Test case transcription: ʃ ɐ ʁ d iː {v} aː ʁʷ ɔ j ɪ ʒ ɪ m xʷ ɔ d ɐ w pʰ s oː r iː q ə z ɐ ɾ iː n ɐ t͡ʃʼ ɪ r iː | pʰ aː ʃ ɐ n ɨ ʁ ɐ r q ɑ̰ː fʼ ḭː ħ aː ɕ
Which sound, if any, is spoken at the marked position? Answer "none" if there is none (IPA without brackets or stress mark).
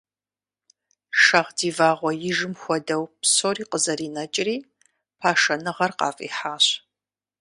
v